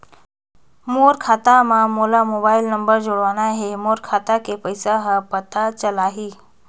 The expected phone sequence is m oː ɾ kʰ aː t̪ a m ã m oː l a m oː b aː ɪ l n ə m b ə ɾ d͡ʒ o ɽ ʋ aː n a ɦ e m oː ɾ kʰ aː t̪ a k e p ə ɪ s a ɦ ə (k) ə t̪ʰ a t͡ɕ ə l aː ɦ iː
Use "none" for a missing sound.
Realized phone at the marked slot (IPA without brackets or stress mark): p